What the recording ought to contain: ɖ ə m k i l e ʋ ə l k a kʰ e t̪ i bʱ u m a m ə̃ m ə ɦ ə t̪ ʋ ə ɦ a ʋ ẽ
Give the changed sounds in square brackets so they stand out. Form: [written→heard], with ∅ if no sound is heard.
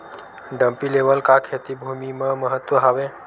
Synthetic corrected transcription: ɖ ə m [k→p] i l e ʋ ə l k a kʰ e t̪ i bʱ u m [a→i] m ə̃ m ə ɦ ə t̪ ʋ ə ɦ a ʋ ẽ